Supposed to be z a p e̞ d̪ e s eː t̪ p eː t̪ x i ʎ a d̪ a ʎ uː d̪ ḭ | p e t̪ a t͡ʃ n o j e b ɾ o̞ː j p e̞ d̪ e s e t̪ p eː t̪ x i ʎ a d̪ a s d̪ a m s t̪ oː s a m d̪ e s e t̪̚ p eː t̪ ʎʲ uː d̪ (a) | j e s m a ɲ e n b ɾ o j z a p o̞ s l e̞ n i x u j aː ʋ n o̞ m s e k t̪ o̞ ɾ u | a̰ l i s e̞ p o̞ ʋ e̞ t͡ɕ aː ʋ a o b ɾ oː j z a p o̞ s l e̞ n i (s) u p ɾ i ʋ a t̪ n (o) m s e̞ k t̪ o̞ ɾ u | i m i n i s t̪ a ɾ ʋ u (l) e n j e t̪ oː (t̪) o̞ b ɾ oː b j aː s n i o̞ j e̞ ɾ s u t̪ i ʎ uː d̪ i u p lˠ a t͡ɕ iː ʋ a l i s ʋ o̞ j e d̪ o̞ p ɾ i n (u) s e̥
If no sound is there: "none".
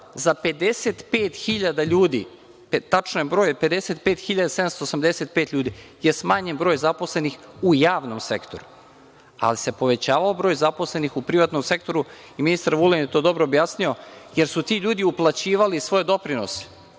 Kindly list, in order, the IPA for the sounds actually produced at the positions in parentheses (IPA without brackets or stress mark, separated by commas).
i, x, o, l, d̪, o